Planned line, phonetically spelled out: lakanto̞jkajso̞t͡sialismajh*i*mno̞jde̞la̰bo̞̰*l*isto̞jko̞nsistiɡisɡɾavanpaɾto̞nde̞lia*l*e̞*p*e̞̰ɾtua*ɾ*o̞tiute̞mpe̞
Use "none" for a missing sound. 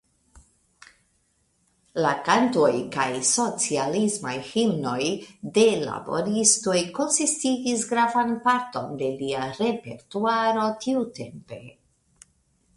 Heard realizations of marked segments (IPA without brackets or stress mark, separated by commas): i, ɾ, ɾ, p, ɾ